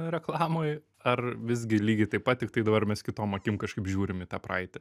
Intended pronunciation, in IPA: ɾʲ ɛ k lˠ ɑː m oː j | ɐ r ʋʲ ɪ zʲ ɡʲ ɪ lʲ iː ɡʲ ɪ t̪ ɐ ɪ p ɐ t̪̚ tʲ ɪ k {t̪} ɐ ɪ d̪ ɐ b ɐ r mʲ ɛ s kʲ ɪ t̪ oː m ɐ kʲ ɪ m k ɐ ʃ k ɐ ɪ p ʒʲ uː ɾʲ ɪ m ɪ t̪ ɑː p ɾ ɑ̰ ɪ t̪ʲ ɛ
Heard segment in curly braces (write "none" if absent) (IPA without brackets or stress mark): t̪